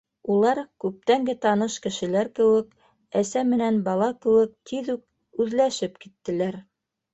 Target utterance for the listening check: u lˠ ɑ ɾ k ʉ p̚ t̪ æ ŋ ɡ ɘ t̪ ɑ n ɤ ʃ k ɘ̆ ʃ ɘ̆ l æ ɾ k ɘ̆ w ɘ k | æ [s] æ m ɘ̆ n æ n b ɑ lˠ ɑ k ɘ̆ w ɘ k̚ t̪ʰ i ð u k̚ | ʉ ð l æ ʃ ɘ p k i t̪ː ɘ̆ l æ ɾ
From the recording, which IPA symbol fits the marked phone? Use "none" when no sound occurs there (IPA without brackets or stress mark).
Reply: s